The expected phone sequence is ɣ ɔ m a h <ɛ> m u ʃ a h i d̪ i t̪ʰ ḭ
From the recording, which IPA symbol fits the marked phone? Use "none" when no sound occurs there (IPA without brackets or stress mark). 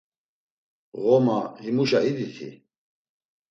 i